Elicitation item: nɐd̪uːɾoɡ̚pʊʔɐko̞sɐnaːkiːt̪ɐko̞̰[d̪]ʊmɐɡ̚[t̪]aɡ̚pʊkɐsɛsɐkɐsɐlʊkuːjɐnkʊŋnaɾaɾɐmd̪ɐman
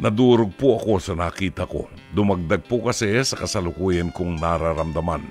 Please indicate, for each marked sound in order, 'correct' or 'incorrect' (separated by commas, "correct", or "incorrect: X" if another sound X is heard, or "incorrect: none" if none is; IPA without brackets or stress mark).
correct, incorrect: d̪